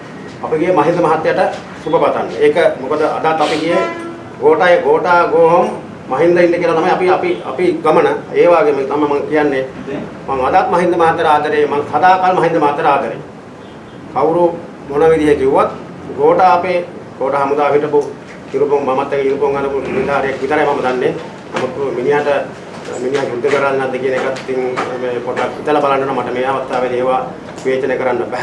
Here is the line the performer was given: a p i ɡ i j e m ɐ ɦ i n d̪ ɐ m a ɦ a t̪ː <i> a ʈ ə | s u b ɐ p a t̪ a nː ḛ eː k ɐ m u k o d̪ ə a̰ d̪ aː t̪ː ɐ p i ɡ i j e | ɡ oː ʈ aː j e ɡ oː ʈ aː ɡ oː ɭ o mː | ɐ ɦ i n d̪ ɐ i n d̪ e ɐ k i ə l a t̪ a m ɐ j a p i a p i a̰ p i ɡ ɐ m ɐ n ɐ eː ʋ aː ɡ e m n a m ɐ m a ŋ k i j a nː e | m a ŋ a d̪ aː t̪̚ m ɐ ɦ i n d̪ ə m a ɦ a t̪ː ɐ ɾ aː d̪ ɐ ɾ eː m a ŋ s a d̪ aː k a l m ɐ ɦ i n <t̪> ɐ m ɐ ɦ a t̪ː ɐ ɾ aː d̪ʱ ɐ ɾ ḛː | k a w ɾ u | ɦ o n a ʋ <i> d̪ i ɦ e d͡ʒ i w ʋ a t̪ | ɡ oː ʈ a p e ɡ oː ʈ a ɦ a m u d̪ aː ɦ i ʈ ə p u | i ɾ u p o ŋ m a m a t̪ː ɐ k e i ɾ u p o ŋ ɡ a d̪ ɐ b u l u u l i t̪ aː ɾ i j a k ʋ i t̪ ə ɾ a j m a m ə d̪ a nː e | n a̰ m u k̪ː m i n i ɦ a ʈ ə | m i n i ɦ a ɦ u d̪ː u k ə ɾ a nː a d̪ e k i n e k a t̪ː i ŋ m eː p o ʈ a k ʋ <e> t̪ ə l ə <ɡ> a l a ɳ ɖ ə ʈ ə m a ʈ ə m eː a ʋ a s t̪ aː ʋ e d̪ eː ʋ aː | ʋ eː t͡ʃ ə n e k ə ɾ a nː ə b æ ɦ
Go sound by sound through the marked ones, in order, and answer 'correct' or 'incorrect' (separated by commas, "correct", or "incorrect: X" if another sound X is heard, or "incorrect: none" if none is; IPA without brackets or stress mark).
incorrect: j, incorrect: d̪, correct, incorrect: i, incorrect: b